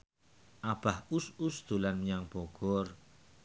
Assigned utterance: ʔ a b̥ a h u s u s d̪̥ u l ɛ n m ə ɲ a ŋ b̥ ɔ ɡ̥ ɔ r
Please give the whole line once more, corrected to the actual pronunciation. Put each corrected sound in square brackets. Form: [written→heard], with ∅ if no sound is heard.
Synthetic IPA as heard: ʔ a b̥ a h u s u s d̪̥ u l [ɛ→a] n m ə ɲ a ŋ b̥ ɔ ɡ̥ ɔ r